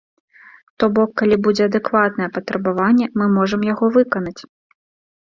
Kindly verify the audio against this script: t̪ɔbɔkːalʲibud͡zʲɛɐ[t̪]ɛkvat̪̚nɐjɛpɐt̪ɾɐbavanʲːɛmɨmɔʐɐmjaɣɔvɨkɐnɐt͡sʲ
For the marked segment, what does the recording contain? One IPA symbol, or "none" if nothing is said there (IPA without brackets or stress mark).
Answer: d̪